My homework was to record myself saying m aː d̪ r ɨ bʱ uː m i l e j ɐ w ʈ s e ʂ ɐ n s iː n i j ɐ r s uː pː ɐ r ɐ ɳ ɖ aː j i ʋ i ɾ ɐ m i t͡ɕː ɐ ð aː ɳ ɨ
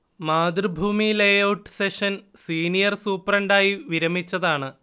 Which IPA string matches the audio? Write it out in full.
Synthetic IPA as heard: m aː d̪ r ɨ bʱ uː m i l e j ɐ w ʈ s e ʂ ɐ n s iː n i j ɐ r s uː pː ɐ r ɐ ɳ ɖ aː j i ʋ i ɾ ɐ m i t͡ɕː ɐ ð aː ɳ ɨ